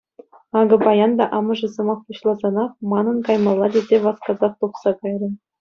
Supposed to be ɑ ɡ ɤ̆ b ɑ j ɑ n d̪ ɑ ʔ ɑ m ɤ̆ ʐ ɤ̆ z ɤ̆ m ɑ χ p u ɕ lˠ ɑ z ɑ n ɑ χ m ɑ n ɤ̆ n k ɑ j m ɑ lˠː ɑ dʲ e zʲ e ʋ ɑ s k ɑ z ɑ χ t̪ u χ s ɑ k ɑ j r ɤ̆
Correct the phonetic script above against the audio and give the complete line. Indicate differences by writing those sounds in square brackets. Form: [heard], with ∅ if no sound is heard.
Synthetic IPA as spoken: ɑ ɡ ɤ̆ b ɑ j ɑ n d̪ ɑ ʔ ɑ m ɤ̆ ʐ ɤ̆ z ɤ̆ m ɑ χ p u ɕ lˠ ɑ z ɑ n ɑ χ m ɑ n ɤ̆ n k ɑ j m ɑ lˠː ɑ dʲ e zʲ e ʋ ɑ s k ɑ z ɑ χ t̪ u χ s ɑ k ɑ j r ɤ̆